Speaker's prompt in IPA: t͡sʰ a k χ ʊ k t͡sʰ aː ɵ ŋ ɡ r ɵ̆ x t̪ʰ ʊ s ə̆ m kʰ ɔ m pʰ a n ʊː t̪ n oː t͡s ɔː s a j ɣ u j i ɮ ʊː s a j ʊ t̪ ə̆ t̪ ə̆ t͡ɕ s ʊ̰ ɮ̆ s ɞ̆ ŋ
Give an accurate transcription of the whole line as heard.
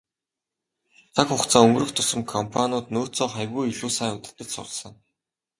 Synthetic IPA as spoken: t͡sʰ a k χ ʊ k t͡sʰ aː ɵ ŋ ɡ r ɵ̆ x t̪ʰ ʊ s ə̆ m kʰ ɔ m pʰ a n ʊː t̪ n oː t͡s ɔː χ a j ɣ u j i ɮ uː s a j ʊ t̪ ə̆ t̪ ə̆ t͡ɕ s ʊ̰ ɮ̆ s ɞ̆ ŋ